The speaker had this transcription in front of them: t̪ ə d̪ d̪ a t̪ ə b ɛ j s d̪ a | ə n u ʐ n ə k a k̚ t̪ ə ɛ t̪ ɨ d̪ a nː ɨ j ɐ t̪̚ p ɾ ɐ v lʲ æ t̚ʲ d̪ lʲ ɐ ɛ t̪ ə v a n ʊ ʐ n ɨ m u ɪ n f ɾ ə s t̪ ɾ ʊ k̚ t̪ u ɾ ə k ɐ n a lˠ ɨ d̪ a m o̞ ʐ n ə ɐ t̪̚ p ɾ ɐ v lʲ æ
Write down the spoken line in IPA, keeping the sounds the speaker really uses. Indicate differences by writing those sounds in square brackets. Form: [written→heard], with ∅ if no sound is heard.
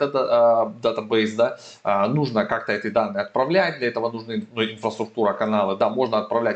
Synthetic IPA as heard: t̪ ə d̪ d̪ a t̪ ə b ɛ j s d̪ a | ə n u ʐ n ə k a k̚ t̪ ə ɛ t̪ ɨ d̪ a nː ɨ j ɐ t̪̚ p ɾ ɐ v lʲ æ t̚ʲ d̪ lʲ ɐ ɛ t̪ ə v [a→ə] n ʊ ʐ n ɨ [m→n] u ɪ n f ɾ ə s t̪ ɾ ʊ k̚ t̪ u ɾ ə k ɐ n a lˠ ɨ d̪ a m o̞ ʐ n ə ɐ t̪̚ p ɾ ɐ v lʲ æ